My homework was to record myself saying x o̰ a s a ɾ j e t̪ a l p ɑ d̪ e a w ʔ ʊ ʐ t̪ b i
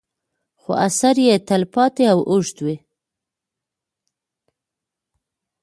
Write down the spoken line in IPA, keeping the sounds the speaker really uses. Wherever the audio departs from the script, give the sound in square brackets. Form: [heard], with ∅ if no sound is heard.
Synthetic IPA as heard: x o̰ a s a ɾ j e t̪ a l p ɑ [t̪] e a w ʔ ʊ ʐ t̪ [w] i